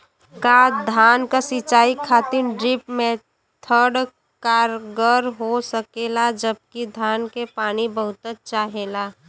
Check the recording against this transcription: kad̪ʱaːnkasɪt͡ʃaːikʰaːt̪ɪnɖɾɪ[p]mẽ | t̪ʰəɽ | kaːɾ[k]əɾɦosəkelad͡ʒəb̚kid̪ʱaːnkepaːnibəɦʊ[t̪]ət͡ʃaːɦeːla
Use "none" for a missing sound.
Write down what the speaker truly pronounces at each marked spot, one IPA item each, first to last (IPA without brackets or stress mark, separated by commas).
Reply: p, ɡ, t̪